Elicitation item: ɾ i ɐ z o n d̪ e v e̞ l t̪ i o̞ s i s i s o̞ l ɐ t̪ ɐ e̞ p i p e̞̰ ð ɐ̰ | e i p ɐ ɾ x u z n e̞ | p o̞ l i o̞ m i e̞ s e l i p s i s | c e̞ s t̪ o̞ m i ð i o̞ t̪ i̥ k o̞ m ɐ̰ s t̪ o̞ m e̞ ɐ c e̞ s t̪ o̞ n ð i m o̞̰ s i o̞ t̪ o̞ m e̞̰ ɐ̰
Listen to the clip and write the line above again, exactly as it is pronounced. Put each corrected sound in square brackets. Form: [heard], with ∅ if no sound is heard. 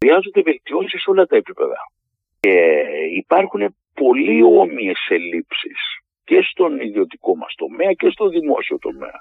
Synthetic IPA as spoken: ɾ i ɐ z o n d̪ e v e̞ l t̪ i o̞ s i s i s o̞ l ɐ t̪ ɐ e̞ p i p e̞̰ ð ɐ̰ | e i p ɐ ɾ x u [∅] n e̞ | p o̞ l i o̞ m i e̞ s e l i p s i s | c e̞ s t̪ o̞ [n] i ð i o̞ t̪ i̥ k o̞ m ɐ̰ s t̪ o̞ m e̞ ɐ c e̞ s t̪ o̞ n ð i m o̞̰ s i o̞ t̪ o̞ m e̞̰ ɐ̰